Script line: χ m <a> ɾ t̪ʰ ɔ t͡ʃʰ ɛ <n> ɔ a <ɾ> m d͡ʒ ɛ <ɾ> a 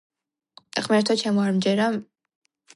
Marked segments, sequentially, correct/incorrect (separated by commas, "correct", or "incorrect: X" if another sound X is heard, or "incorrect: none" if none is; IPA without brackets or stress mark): incorrect: ɛ, incorrect: m, correct, correct